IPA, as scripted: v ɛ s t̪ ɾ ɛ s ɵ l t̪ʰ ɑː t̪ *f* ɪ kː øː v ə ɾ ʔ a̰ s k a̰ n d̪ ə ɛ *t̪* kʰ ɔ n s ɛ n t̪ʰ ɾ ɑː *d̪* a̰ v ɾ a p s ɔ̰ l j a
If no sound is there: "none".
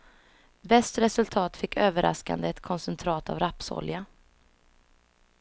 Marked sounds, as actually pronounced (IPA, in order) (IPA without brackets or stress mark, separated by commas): f, t̪, t̪